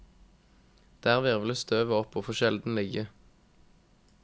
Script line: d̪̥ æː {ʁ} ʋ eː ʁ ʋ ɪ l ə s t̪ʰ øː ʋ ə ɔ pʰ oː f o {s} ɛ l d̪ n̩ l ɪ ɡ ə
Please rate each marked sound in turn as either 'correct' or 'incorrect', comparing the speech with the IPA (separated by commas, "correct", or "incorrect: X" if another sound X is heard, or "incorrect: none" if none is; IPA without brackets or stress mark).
correct, incorrect: ʃ